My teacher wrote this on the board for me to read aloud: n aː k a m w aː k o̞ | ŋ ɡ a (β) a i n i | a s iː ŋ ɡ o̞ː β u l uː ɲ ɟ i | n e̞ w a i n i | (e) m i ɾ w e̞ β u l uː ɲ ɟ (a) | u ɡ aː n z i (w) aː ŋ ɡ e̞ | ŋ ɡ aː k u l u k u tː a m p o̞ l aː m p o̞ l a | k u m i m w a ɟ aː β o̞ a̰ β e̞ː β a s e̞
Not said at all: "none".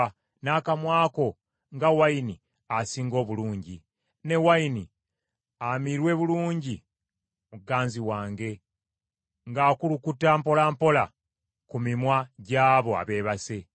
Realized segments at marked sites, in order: w, a, i, w

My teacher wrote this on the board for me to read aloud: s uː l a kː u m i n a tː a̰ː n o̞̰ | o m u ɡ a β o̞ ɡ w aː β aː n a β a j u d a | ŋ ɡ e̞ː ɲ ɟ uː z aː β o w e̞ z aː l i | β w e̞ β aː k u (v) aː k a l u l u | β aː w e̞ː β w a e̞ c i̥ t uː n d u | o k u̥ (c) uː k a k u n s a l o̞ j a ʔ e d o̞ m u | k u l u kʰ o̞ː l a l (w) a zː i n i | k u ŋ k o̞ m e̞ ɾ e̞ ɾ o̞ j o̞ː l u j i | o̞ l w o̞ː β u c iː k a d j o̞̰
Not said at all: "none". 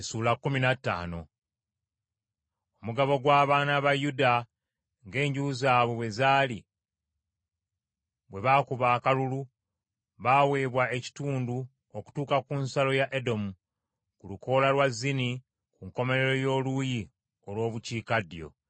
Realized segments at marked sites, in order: β, t, w

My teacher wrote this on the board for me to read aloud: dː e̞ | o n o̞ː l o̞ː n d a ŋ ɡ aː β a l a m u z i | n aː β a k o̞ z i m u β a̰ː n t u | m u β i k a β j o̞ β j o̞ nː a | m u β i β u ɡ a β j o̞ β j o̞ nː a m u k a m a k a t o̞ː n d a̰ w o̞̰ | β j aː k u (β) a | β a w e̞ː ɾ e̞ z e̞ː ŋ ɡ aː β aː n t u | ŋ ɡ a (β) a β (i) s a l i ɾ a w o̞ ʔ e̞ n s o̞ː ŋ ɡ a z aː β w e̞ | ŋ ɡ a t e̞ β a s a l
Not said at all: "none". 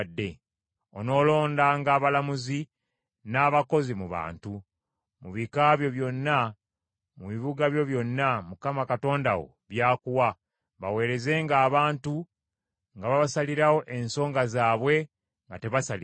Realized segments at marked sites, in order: w, β, a

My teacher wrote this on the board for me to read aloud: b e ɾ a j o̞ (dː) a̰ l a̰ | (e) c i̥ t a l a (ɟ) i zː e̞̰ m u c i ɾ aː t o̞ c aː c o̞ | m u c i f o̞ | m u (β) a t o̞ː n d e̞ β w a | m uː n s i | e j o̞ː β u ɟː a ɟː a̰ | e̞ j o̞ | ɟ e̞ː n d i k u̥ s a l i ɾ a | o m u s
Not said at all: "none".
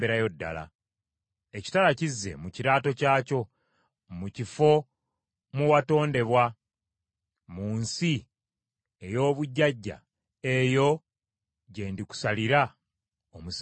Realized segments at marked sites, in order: dː, e, c, w

